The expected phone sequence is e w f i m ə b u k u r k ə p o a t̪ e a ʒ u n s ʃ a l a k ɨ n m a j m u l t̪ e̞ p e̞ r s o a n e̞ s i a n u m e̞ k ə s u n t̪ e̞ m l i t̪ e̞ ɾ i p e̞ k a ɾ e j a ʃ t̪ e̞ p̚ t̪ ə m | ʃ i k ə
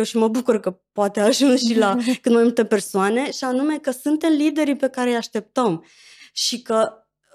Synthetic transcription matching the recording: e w ʃ i m ə b u k u r k ə p o a t̪ e a ʒ u n s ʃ i l a k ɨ n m a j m u l t̪ e̞ p e̞ r s o a n e̞ ʃ i a n u m e̞ k ə s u n t̪ e̞ m l i d̪ e̞ ɾ i p e̞ k a ɾ e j a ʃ t̪ e̞ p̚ t̪ ə m | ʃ i k ə